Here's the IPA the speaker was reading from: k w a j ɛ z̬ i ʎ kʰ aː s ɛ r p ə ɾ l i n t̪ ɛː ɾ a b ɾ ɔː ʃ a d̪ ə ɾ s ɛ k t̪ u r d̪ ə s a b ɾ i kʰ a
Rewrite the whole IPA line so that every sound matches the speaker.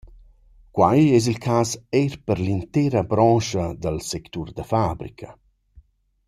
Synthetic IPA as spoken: k w a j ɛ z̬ i l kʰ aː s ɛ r p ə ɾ l i n t̪ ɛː ɾ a b ɾ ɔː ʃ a d̪ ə l s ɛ k t̪ u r d̪ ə f a b ɾ i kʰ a